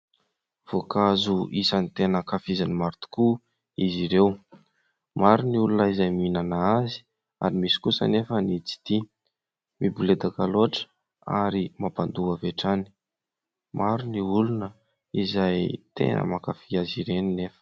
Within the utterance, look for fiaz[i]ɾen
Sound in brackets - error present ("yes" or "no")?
no